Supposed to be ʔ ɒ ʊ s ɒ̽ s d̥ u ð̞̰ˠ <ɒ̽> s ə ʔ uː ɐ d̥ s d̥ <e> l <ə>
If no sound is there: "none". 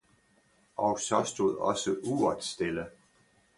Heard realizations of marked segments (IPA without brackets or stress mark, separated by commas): ɒ̽, e, ə